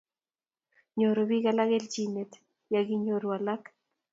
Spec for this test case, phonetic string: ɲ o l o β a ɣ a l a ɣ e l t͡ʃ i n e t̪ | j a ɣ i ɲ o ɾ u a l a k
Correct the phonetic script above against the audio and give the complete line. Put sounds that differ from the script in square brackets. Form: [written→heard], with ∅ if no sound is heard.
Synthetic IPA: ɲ o [l→ɾ] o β [a→i] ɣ a l a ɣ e l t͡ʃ i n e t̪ | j a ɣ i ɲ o ɾ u a l a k